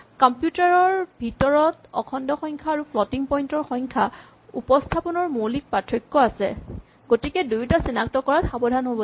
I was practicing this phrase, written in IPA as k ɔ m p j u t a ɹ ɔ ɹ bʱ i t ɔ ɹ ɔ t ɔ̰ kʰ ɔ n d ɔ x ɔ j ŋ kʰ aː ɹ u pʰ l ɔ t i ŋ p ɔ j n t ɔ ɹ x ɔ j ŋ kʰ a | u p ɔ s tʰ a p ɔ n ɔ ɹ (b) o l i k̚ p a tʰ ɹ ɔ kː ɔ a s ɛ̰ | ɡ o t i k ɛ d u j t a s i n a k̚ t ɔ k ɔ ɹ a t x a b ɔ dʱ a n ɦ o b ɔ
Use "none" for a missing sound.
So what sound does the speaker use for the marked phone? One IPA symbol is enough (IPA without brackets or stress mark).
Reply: m